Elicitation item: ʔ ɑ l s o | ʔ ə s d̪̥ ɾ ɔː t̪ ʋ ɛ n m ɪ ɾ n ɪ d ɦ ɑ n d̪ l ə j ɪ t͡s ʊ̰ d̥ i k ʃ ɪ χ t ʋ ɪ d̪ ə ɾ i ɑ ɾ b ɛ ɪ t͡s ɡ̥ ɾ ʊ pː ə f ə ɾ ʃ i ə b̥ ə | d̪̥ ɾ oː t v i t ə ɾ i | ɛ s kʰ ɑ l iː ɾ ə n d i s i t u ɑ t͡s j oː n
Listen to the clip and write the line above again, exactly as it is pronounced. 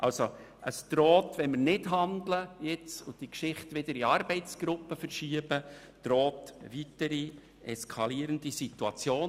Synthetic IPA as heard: ʔ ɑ l s o | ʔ ə s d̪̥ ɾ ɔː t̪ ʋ ɛ n m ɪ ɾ n ɪ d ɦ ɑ n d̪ l ə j ɪ t͡s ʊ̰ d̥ i k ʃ ɪ χ t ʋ ɪ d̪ ə ɾ i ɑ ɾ b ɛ ɪ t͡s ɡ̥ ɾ ʊ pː ə f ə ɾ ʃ i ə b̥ ə | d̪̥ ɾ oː t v i t ə ɾ i | ɛ s kʰ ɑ l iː ɾ ə n d i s i t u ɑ t͡s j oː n